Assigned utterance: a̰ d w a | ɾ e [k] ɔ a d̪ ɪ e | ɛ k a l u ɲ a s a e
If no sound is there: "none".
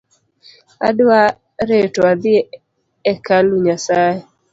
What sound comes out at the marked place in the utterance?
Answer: t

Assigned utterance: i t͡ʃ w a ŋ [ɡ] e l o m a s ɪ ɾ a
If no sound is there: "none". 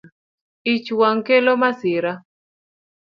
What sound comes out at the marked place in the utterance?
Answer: k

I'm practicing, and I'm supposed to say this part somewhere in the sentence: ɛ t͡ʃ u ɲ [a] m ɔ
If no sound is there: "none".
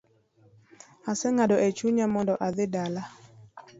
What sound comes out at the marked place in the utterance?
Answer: a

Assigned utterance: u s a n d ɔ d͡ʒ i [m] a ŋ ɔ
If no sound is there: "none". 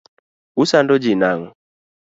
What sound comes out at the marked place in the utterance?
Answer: n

